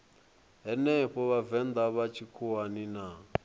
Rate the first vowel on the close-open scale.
mid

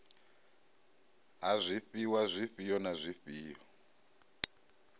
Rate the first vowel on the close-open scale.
open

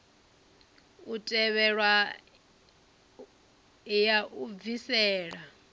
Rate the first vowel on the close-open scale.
close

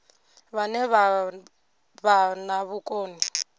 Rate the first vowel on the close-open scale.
open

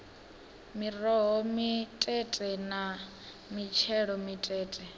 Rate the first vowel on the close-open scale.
close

